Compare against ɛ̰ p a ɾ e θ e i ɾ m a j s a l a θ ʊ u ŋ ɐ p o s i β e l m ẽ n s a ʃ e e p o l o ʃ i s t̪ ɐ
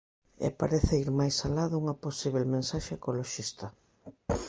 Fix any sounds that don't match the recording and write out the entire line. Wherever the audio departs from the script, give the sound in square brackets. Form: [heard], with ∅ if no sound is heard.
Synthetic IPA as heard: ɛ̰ p a ɾ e θ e i ɾ m a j s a l a [ð] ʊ u ŋ ɐ p o s i β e l m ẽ n s a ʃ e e [k] o l o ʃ i s t̪ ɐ